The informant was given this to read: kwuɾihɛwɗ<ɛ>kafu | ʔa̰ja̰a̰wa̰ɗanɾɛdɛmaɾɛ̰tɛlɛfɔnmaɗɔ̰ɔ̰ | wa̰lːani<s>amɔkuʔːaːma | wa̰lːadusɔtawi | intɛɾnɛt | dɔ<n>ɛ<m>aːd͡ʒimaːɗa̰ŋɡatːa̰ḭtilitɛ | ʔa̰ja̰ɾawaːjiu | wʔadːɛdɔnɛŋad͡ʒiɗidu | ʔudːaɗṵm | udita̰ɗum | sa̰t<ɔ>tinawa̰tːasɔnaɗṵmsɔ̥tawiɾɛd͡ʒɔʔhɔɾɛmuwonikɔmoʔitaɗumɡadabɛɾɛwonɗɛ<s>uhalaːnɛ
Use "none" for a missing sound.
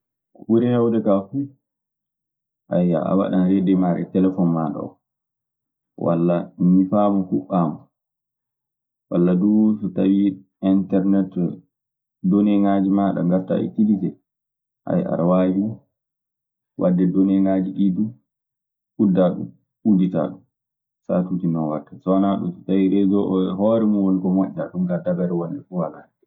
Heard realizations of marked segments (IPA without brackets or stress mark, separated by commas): ɛ, f, n, ŋ, u, f